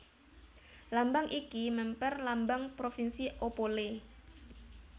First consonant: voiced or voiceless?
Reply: voiced